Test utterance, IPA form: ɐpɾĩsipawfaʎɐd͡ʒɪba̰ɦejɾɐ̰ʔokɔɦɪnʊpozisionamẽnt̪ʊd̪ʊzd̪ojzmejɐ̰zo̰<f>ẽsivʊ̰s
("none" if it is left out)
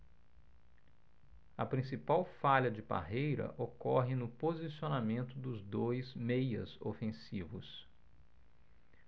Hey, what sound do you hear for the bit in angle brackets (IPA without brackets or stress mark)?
f